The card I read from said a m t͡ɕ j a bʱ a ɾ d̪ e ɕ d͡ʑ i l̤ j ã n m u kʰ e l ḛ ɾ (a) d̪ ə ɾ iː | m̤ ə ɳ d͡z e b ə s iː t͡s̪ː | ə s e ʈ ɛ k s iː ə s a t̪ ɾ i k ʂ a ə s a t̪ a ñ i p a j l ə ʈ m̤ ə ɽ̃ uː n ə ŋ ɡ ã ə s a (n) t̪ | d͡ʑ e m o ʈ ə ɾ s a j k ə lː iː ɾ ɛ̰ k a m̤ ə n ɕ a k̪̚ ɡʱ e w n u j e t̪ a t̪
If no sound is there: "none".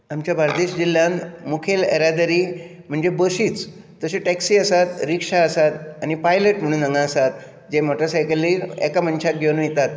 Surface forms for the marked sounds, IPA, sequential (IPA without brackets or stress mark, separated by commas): a, none